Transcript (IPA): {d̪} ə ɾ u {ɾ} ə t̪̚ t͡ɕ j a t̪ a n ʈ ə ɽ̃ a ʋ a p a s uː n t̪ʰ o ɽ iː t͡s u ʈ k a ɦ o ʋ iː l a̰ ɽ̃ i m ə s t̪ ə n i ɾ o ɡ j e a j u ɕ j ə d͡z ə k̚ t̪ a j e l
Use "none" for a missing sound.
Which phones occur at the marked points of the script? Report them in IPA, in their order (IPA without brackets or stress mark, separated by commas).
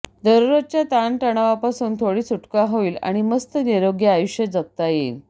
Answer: d̪, ɾ